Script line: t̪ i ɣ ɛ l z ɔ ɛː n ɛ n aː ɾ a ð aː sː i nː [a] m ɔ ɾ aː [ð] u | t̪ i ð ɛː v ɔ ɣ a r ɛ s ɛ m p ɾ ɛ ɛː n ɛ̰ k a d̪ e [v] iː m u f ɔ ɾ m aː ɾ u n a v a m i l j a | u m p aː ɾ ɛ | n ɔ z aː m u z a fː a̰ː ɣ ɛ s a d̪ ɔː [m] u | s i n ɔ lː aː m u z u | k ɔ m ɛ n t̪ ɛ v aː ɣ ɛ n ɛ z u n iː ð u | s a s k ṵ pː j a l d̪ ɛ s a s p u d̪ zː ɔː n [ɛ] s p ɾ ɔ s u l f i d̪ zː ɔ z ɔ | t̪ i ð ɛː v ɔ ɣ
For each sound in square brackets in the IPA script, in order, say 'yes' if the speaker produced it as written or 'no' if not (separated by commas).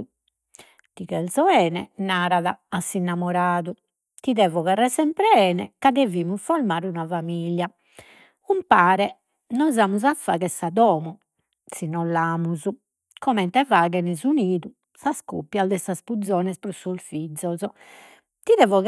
yes, yes, yes, yes, yes